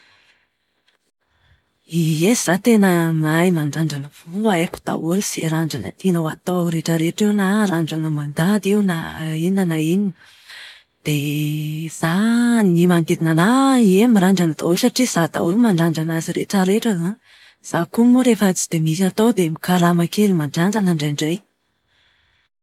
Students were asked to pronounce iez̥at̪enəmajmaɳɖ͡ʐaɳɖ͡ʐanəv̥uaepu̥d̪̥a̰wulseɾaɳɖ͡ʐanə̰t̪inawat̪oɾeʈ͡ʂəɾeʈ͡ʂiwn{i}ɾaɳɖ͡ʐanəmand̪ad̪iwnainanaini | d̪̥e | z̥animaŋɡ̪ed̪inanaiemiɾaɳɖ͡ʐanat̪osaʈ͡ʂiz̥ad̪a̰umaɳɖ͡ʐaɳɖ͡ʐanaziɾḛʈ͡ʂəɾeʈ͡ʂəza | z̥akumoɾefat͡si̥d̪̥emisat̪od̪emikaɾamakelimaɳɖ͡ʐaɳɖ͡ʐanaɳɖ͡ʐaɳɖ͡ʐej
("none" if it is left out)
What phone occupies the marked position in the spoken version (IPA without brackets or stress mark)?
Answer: a